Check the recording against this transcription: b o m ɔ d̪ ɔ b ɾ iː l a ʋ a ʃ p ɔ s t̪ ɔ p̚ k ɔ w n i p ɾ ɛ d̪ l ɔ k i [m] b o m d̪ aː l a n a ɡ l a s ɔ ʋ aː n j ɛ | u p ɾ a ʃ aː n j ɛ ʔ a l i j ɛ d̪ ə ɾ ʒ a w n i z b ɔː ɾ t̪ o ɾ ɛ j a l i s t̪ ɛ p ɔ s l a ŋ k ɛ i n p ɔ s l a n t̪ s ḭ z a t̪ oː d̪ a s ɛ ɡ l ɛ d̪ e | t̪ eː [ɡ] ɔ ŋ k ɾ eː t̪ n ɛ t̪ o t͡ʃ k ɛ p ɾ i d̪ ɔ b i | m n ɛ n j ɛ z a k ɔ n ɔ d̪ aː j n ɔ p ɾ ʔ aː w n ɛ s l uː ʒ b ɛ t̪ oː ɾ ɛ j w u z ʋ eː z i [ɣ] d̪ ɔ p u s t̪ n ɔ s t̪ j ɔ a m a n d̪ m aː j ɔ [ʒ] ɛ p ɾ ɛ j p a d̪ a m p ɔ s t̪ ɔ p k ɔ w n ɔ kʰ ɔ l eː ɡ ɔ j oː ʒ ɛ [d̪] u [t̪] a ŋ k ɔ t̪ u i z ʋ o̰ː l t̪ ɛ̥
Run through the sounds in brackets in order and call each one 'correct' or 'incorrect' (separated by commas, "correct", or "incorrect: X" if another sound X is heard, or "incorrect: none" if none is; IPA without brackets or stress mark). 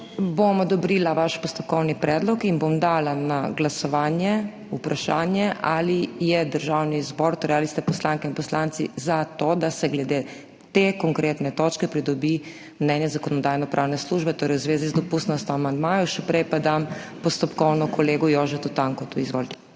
incorrect: n, incorrect: k, incorrect: z, incorrect: ʃ, incorrect: t̪, correct